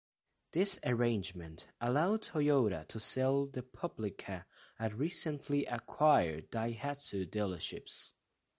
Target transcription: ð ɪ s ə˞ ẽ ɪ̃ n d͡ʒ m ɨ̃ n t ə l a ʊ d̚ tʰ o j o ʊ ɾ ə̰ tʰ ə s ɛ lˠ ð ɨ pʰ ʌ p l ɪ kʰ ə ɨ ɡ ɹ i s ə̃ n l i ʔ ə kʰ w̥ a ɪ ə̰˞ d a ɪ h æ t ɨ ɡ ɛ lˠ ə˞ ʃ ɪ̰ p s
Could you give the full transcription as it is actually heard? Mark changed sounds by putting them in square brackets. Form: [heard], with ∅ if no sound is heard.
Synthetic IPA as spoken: ð ɪ s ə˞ ẽ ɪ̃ n d͡ʒ m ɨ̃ n t ə l a ʊ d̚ tʰ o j o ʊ ɾ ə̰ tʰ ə s ɛ lˠ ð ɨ pʰ ʌ [b] l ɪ kʰ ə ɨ [d] ɹ i s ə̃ n l i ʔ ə kʰ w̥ a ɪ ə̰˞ d a ɪ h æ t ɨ [d] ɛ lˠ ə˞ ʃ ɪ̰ p s